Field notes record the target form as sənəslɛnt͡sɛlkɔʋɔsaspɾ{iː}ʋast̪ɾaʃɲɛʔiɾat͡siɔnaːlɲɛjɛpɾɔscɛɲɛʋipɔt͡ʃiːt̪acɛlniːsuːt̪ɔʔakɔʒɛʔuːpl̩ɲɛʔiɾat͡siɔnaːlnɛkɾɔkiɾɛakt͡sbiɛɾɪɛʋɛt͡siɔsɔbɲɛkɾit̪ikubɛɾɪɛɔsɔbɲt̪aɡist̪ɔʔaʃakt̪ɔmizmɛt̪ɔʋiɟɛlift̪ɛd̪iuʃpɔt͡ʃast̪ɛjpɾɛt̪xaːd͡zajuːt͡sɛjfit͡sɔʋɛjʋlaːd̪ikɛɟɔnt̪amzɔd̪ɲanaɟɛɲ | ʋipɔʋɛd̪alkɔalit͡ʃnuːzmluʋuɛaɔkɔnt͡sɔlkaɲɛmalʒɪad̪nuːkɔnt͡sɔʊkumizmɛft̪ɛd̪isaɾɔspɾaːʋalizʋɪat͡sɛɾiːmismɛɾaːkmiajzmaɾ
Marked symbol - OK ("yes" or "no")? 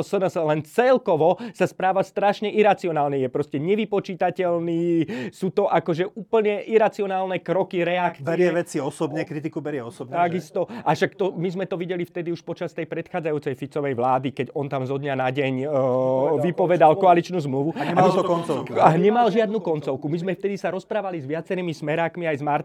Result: no